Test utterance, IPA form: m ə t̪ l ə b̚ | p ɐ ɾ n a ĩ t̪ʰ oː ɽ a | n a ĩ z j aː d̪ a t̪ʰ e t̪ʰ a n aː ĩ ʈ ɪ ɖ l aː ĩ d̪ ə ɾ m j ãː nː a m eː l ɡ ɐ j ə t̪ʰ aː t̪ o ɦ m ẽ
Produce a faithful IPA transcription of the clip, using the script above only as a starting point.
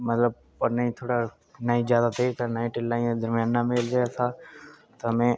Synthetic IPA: m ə t̪ l ə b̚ | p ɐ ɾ n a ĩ t̪ʰ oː ɽ a | n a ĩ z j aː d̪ a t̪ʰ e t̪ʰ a n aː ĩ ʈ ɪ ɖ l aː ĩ d̪ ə ɾ m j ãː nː a m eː l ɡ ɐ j a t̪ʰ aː t̪ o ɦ m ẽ